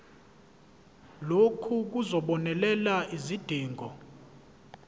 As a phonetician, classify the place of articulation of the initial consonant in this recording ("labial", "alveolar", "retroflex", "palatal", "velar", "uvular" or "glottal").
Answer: alveolar